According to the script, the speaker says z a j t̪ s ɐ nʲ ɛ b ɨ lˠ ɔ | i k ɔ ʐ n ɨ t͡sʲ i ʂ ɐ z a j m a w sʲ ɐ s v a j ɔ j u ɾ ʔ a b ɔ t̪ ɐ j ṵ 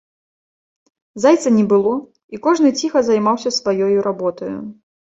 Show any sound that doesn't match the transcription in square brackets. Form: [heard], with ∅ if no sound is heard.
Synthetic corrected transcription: z a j t̪ s ɐ nʲ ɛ b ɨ lˠ ɔ | i k ɔ ʐ n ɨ t͡sʲ i [x] ɐ z a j m a w sʲ ɐ s v a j ɔ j u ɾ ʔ a b ɔ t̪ ɐ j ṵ